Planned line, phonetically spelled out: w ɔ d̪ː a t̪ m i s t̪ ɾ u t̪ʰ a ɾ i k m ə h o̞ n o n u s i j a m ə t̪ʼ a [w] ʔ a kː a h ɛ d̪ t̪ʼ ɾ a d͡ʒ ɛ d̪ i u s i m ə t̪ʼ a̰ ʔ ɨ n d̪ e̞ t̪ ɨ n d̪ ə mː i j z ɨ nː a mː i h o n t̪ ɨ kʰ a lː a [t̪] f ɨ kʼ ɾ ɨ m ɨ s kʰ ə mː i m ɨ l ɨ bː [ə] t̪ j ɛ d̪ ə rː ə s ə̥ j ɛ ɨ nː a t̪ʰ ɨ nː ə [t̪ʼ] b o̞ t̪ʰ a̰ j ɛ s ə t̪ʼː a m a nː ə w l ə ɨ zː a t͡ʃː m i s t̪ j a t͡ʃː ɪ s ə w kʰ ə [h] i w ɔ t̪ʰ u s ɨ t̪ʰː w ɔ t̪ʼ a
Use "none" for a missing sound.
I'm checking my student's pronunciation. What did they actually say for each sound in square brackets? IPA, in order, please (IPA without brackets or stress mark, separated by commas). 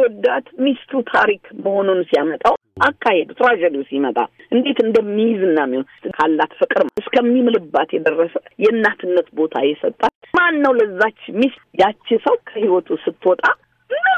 w, t̪, a, t̪, h